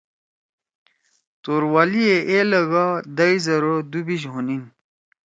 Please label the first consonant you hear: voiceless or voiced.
voiceless